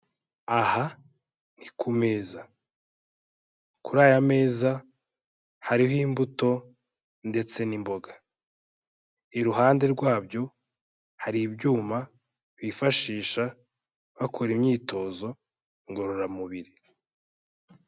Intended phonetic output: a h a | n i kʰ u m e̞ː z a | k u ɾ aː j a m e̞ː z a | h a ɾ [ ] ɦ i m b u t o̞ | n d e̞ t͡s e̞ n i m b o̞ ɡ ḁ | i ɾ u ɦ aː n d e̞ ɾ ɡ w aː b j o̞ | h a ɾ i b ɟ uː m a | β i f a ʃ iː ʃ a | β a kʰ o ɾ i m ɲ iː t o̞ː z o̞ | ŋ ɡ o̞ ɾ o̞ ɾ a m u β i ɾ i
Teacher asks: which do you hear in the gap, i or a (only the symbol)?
i